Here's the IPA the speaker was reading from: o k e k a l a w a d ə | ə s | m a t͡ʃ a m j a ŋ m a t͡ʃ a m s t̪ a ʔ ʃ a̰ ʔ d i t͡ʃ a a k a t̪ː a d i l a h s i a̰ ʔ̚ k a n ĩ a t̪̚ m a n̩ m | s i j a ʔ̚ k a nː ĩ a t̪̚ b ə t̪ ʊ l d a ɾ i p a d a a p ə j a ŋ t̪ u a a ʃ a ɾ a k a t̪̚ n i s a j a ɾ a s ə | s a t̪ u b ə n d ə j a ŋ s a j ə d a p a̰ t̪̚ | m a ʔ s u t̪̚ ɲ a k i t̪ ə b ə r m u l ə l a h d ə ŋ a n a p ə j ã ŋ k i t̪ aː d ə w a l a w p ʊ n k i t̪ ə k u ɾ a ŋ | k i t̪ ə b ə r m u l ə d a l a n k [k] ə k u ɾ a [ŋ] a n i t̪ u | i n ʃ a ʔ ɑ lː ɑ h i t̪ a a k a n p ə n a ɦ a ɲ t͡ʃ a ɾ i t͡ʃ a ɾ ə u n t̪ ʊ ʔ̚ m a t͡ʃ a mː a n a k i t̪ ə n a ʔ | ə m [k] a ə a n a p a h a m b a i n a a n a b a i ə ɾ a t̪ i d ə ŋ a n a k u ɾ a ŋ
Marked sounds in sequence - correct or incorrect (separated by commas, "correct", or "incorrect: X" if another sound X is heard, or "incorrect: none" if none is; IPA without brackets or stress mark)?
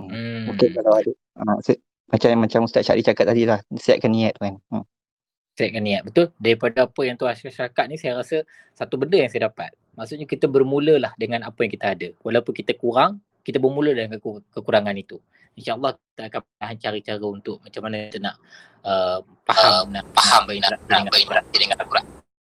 correct, correct, incorrect: p